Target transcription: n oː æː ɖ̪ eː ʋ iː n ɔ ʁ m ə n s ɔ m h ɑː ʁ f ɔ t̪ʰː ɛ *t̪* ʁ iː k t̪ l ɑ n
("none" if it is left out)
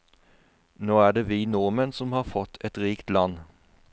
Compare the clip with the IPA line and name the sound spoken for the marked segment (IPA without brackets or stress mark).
t̪